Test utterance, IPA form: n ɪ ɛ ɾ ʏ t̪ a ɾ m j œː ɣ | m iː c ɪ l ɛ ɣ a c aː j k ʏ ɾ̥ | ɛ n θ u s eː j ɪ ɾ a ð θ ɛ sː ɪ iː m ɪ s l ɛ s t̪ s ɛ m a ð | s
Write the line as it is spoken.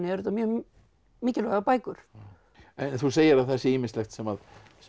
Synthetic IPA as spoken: n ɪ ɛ ɾ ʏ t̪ a m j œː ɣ | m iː c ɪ l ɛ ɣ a p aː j k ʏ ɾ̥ | ɛ n θ u s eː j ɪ ɾ a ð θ ɛ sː ɪ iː m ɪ s l ɛ x t̪ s ɛ m a ð | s